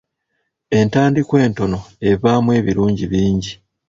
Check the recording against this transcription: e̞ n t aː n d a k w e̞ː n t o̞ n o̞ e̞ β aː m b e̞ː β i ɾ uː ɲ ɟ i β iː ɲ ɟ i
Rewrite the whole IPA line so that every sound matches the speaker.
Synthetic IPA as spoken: e̞ n t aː n d i k w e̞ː n t o̞ n o̞ e̞ β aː m w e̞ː β i ɾ uː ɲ ɟ i β iː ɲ ɟ i